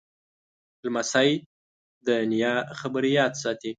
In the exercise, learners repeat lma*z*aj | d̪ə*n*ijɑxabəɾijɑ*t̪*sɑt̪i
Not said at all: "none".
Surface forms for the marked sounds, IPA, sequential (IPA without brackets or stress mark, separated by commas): s, n, t̪